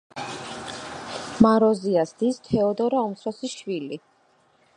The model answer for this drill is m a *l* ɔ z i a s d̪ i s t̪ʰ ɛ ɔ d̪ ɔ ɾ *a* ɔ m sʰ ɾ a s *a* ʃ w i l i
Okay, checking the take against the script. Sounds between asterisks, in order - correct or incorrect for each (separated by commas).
incorrect, correct, incorrect